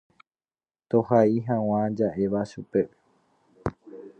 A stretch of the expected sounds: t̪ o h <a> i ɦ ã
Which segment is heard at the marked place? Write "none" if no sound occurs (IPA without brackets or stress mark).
a